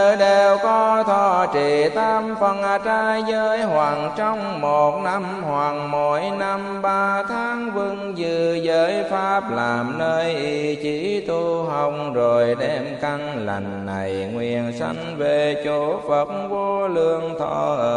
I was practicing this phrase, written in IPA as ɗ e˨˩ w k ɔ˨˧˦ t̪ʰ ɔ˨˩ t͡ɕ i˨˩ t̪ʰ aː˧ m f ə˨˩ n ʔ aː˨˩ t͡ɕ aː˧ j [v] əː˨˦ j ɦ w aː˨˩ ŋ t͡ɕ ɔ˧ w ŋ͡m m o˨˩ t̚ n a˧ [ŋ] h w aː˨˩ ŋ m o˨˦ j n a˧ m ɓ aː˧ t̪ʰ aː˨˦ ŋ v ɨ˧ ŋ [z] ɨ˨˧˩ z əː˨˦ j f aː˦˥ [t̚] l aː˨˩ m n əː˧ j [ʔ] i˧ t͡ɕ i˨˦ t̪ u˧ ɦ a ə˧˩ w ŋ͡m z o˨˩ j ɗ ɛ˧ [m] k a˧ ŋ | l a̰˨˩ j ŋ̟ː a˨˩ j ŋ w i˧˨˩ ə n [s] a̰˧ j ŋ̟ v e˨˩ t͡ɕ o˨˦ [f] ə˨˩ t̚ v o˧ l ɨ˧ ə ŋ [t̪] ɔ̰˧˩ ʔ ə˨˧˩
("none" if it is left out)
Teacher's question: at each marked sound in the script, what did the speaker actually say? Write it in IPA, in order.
z, m, z, p̚, ʔ, m, s, f, t̪ʰ

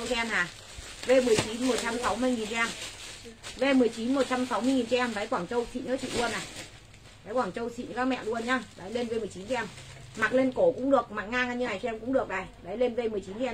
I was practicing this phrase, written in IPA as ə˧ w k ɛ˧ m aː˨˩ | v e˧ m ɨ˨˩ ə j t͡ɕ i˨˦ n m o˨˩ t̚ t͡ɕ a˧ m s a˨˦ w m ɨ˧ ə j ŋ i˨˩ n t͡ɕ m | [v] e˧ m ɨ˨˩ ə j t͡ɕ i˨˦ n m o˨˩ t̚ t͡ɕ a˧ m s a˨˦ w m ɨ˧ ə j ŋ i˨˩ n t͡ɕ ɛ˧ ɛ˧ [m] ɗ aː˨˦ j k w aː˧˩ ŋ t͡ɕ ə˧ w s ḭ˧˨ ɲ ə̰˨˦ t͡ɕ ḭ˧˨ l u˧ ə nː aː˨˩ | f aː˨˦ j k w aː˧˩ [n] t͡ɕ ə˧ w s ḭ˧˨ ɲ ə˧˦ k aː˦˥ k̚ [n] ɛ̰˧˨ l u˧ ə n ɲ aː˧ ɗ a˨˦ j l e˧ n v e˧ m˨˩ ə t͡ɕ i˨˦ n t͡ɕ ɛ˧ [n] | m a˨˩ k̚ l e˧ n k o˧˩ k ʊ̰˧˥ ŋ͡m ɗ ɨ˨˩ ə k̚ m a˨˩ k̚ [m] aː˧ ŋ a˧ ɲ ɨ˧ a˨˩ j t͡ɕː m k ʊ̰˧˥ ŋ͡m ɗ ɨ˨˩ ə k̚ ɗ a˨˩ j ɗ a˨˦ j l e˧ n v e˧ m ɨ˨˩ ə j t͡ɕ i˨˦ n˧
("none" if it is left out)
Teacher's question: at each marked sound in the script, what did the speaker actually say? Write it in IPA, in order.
v, m, ŋ, m, m, ŋ

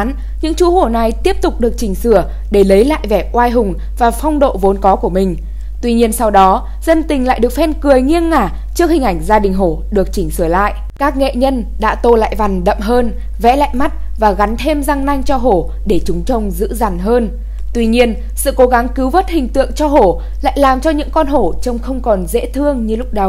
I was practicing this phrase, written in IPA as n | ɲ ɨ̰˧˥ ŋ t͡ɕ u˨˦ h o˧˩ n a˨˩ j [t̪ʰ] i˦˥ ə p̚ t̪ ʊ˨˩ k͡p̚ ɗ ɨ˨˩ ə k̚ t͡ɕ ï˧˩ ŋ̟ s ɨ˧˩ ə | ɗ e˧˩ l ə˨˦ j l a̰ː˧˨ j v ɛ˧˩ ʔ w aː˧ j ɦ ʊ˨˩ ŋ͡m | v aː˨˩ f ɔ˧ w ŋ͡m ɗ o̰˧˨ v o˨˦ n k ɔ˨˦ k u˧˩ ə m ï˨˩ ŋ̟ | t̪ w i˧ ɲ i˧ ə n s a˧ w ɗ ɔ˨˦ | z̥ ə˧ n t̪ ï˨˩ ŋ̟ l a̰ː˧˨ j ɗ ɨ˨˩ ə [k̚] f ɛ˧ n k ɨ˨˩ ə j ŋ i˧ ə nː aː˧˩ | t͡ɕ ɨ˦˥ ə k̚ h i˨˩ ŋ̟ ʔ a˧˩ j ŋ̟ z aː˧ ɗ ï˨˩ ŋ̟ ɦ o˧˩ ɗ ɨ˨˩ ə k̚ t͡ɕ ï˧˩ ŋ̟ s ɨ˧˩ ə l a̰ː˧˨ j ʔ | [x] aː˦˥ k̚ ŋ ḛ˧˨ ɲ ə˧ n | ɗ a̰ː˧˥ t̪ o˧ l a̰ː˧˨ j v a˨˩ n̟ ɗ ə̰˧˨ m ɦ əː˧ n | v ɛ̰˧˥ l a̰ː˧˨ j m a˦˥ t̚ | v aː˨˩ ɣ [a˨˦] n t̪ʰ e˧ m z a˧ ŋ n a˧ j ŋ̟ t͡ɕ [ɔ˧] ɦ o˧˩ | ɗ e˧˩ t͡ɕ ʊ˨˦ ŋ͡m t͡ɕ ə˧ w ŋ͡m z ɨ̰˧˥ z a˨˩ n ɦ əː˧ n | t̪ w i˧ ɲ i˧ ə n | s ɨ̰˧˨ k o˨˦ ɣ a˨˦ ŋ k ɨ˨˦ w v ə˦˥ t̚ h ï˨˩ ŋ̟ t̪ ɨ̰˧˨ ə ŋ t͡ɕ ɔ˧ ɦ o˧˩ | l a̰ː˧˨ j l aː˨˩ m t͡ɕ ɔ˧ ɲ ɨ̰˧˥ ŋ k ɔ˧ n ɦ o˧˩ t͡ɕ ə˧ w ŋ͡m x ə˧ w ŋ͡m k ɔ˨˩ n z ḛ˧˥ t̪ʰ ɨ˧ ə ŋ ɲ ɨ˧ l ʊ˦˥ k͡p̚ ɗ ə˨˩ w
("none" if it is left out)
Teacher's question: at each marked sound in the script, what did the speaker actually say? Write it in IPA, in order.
t̪, k̚, k, a˨˦, ɔ˧

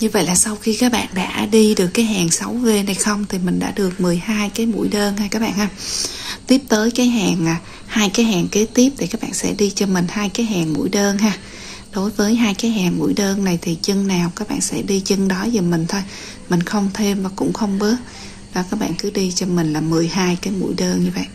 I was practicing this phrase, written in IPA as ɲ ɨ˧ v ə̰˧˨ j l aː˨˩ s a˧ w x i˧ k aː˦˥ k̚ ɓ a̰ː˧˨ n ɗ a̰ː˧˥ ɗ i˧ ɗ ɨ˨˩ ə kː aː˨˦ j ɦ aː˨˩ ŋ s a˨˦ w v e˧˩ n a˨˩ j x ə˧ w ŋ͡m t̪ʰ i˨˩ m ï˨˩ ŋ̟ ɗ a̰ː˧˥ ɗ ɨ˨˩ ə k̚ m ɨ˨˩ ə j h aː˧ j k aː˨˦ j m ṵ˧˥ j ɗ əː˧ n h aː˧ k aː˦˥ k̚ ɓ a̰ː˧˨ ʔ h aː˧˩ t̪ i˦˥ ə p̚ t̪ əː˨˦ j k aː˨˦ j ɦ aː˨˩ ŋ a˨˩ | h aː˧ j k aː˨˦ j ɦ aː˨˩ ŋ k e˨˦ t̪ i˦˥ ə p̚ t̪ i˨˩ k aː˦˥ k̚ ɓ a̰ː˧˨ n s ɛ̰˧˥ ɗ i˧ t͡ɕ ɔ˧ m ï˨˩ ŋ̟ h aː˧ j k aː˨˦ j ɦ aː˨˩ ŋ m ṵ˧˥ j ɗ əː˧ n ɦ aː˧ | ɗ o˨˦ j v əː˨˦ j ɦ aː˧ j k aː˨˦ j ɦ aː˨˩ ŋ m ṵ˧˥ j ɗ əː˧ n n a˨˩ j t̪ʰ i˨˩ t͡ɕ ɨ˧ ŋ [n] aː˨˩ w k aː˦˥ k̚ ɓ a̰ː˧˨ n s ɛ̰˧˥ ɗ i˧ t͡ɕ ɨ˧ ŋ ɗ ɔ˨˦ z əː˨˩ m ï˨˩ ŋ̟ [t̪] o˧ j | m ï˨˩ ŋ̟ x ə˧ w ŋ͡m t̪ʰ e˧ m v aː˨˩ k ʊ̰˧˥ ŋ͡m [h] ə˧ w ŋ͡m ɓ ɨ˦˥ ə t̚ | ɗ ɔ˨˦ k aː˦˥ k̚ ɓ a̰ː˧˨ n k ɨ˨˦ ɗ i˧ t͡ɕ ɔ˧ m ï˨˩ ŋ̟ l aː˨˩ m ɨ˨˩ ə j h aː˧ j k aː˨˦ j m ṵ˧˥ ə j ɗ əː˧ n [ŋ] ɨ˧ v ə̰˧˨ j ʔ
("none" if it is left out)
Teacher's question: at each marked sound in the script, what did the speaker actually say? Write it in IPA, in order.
n, t̪ʰ, x, ɲ

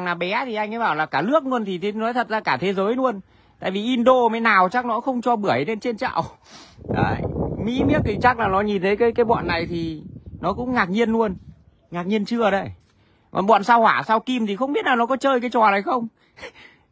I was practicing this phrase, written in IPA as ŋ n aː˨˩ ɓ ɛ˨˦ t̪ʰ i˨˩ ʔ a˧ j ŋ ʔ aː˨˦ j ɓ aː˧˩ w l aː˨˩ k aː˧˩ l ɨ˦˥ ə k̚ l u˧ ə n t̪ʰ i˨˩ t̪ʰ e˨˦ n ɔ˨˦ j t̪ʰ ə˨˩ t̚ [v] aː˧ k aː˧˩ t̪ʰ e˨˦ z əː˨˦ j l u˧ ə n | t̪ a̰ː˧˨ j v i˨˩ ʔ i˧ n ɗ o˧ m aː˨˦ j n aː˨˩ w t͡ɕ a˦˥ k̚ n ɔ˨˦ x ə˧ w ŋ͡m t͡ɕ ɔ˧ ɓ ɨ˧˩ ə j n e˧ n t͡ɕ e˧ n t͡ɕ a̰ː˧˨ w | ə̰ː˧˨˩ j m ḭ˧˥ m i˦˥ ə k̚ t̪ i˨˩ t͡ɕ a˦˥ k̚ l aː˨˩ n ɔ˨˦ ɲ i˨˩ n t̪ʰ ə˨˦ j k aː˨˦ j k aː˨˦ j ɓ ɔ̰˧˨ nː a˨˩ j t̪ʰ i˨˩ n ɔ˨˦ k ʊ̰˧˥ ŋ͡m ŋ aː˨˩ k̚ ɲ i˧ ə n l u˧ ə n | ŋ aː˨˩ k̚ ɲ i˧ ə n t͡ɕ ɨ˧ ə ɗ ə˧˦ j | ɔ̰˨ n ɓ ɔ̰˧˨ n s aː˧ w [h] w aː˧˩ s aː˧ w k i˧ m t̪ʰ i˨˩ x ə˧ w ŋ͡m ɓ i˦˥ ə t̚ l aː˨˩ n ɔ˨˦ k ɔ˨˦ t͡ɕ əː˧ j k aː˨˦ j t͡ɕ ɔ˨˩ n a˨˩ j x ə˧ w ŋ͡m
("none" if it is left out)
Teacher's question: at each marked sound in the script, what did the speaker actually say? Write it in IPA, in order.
z, h

